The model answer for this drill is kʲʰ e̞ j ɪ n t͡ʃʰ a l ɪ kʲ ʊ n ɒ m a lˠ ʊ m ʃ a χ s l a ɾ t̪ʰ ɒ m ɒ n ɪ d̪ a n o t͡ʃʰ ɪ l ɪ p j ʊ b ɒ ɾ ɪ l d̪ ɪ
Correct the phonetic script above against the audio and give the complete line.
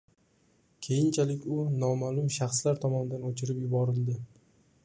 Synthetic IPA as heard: kʲʰ e̞ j ɪ n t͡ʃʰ a l ɪ kʲ ʊ n ɒ m a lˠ ʊ m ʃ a χ s l a ɾ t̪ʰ ɒ m ɒ n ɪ d̪ a n o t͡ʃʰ ɪ ɾ ɪ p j ʊ b ɒ ɾ ɪ l d̪ ɪ

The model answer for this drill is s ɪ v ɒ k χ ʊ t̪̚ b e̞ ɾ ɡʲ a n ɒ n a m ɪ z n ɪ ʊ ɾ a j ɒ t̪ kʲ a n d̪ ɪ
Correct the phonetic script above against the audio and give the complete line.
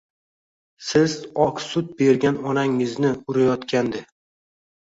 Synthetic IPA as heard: s ɪ z ɒ k s ʊ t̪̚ b e̞ ɾ ɡʲ a n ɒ n a ŋ ɪ z n ɪ ʊ ɾ a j ɒ t̪ kʲ a n d̪ ɪ

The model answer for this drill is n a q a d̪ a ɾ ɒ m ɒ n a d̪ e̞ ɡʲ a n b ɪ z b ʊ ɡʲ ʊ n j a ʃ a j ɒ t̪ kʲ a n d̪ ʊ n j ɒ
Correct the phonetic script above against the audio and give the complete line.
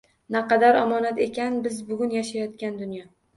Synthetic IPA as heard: n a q ɑ d̪ a ɾ ɒ m ɒ n a t̪ e̞ kʲ a n b ɪ z b ʊ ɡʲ ʊ n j a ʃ a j ɒ t̪ kʲ a n d̪ ʊ n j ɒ

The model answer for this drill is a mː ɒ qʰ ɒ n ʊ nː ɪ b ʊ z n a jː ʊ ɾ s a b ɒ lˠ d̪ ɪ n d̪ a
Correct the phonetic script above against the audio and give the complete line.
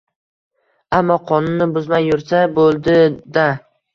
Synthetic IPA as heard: a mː ɒ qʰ ɒ n ʊ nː ɪ b ʊ z m a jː ʊ ɾ s a b o lˠ d̪ ɪ d̪ a

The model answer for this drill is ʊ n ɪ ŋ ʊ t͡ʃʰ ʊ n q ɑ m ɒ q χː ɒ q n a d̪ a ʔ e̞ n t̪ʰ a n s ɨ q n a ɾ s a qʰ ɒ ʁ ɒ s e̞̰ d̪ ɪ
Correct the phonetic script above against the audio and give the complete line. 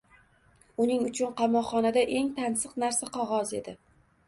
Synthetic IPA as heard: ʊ n ɪ ŋ ʊ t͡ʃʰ ʊ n q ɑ m ɒ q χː ɒ n a d̪ a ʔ e̞ ŋ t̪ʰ a n s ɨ q n a ɾ s a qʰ ɒ ʁ ɒ z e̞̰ d̪ ɪ

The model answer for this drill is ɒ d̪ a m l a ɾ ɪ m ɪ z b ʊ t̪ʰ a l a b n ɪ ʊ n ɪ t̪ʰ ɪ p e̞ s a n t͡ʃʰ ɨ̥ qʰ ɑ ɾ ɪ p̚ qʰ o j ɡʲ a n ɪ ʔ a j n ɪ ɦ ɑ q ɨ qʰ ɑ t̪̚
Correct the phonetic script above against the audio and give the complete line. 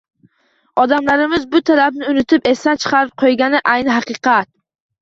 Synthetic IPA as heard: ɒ d̪ a m l a ɾ ɪ m ɪ z b ʊ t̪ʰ a l a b n ɪ ʊ n ɪ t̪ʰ ɪ p e̞ s a n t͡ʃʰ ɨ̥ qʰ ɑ ɾ ɪ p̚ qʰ o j ɡʲ a n ɪ ʔ a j n ɪ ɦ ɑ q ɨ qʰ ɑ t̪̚

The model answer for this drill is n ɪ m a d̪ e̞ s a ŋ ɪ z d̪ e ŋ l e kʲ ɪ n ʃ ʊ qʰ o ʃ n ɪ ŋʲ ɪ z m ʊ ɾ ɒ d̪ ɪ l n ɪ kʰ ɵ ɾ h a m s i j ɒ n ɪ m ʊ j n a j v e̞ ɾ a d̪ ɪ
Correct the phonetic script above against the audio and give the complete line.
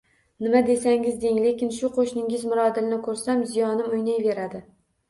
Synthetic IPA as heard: n ɪ m a d̪ e̞ s a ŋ ɪ z d̪ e ŋ l e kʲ ɪ n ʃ ʊ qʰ o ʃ n ɪ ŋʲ ɪ z m ʊ ɾ ɒ d̪ ɪ l n ɪ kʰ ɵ ɾ s a m z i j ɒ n ɪ m ʊ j n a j v e̞ ɾ a d̪ ɪ

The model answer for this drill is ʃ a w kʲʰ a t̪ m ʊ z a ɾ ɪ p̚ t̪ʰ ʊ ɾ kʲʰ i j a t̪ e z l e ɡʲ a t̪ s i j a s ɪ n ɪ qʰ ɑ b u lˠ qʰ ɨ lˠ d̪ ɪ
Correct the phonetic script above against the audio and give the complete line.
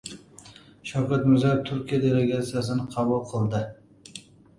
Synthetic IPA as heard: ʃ a w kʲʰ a t̪ m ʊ z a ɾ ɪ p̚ t̪ʰ ʊ ɾ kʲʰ i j a d̪ e l e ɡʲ a t̪ s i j a s ɪ n ɪ qʰ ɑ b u lˠ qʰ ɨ lˠ d̪ ɪ

